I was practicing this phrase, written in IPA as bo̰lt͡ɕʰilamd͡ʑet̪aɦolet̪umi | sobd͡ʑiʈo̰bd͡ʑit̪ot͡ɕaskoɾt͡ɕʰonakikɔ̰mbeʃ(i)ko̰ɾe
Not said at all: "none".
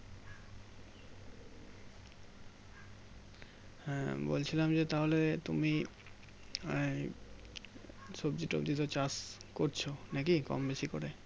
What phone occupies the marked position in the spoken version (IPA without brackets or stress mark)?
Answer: i